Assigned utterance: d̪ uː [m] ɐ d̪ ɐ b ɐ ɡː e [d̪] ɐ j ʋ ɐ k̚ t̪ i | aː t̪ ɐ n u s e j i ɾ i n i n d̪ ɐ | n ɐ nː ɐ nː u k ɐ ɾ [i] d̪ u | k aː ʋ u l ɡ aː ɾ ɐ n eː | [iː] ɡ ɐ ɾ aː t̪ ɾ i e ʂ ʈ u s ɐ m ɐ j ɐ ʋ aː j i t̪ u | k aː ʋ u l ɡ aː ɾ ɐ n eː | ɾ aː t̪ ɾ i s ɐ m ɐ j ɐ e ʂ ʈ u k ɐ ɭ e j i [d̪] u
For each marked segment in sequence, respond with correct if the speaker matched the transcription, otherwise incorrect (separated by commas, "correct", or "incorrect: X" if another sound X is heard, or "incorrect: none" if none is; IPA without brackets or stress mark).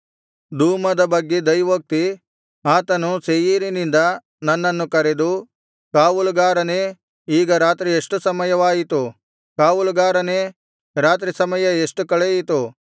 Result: correct, correct, incorrect: e, correct, incorrect: t̪